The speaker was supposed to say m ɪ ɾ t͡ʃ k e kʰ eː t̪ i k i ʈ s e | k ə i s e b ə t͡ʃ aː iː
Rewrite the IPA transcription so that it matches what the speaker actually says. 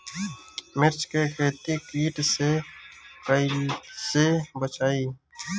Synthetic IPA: m ɪ ɾ t͡ʃ k e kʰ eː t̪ i k iː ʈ s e | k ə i s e b ə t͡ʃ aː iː